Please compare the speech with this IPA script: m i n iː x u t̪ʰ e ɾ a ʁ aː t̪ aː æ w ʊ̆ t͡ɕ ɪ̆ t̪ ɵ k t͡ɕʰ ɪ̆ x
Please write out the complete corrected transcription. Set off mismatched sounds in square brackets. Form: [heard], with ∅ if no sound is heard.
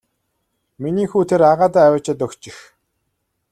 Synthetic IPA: m i n iː x [uː] t̪ʰ e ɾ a ʁ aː t̪ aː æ w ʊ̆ t͡ɕ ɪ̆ t̪ ɵ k [t͡ɕ] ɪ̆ x